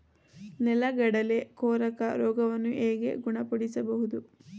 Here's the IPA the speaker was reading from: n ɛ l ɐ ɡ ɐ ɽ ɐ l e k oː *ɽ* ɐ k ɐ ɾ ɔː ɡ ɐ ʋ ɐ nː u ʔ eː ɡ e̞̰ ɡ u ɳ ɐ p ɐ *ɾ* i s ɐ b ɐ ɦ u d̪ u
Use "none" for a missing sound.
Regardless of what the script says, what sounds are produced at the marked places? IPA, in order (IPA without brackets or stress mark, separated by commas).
ɾ, ɽ